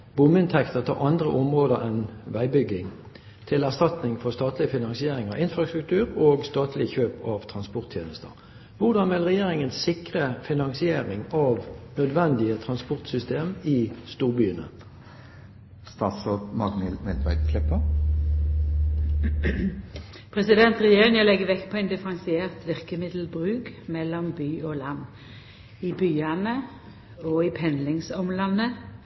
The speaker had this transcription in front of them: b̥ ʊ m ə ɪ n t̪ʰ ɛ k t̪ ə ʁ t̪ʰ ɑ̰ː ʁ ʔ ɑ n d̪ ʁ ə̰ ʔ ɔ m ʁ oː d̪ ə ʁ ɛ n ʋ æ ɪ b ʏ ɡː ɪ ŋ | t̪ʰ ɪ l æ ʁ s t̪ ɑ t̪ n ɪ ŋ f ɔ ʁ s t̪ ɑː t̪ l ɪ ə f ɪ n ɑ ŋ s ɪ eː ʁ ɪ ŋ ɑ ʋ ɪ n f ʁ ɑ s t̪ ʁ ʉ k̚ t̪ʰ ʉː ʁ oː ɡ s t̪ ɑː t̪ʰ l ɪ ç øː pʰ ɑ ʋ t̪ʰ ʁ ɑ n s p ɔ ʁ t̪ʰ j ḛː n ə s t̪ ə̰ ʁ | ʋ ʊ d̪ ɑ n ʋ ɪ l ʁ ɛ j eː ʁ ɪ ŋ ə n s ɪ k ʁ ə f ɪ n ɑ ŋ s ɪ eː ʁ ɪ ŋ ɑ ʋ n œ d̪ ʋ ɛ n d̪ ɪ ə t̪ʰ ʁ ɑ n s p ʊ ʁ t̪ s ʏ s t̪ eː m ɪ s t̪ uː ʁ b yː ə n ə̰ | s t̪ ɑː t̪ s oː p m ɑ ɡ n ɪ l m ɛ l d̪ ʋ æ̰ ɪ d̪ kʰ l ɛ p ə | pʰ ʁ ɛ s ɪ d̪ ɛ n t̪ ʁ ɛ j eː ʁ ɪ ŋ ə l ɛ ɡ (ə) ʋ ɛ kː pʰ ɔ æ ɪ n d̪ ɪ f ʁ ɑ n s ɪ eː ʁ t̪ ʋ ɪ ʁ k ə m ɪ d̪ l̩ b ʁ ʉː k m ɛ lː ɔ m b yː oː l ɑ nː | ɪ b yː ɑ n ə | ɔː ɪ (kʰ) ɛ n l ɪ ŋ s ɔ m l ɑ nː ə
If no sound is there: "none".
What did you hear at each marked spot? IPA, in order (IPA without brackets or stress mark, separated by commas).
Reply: ə, pʰ